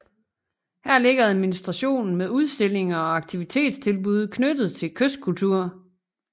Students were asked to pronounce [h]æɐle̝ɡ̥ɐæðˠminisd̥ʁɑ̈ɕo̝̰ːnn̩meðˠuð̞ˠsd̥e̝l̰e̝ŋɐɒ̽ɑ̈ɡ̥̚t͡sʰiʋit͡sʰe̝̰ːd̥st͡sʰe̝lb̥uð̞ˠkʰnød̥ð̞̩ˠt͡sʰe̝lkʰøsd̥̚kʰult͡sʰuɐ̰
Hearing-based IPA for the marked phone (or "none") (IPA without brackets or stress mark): h